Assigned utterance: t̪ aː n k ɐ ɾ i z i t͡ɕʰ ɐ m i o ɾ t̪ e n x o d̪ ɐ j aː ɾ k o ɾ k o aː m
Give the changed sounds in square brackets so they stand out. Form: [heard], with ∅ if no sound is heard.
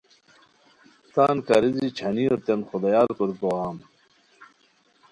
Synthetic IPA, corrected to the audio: t̪ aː n k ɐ ɾ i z i t͡ɕʰ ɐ [n] i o ɾ t̪ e n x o d̪ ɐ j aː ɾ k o ɾ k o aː m